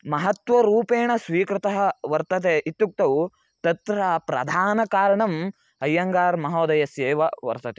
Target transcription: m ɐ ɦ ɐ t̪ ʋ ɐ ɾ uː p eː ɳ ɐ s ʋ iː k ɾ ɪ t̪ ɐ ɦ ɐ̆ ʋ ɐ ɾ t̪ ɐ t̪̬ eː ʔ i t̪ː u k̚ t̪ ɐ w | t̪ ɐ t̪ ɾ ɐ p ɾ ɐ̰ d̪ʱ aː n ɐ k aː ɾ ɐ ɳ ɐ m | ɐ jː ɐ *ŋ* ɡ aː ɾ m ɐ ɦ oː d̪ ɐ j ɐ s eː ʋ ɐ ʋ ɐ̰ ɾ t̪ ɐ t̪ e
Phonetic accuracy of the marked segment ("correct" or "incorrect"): correct